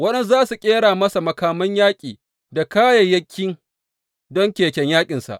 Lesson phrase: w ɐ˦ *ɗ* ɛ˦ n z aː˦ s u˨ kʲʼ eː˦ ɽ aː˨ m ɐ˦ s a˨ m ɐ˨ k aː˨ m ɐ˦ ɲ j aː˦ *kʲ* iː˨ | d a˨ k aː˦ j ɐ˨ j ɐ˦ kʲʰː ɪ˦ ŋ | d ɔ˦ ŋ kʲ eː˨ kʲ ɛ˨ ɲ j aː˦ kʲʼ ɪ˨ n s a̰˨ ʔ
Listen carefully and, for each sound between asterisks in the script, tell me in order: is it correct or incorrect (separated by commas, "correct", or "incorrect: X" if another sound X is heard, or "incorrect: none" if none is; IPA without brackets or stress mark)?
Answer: correct, incorrect: kʲʼ